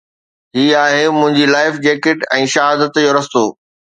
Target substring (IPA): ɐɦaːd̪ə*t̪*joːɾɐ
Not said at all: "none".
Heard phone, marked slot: t̪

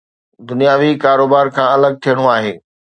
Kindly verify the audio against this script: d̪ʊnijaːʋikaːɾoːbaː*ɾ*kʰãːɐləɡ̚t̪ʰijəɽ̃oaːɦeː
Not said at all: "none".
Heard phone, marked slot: ɾ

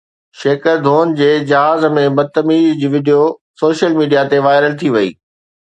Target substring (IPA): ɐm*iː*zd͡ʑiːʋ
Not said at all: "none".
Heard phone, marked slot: iː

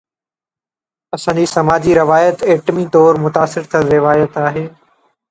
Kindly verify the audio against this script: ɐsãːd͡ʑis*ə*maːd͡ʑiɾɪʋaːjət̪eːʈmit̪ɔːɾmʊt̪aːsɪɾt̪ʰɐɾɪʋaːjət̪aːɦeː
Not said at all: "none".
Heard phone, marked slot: ɐ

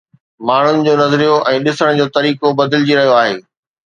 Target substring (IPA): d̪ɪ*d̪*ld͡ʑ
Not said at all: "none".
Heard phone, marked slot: none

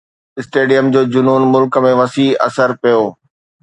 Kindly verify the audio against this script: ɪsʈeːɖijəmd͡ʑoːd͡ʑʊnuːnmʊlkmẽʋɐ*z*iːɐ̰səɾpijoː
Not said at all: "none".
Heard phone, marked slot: s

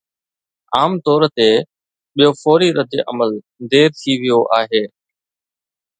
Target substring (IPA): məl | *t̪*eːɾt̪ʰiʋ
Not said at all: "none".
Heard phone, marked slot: d̪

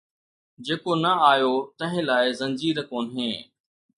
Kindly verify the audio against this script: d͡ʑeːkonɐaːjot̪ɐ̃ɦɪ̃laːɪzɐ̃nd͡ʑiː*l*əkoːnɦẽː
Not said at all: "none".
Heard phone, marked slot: ɾ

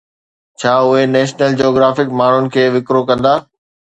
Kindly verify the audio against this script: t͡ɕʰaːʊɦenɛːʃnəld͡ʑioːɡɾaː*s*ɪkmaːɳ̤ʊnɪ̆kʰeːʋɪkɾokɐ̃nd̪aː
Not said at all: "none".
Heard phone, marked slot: f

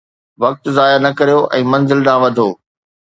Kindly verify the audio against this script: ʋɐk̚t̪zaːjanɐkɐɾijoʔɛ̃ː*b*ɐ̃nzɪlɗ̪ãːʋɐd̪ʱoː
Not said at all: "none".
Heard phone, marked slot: m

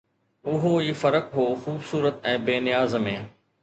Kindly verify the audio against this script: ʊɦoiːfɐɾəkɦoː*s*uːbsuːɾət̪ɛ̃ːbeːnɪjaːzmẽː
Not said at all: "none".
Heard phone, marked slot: x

